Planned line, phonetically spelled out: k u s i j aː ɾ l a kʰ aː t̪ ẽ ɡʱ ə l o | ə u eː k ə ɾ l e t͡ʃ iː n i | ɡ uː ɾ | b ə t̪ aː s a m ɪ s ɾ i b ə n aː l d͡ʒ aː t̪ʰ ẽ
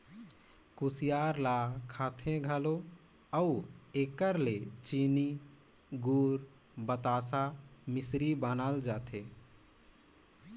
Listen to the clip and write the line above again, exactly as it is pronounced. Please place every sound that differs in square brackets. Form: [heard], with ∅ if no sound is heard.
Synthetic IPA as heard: k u s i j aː ɾ l a kʰ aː [t̪ʰ] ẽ ɡʱ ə l o | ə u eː k ə ɾ l e t͡ʃ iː n i | ɡ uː ɾ | b ə t̪ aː s a m ɪ s ɾ i b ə n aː l d͡ʒ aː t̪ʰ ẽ